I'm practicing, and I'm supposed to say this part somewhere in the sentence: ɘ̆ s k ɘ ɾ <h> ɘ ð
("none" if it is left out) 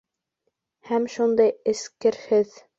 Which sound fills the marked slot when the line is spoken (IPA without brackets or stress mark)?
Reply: h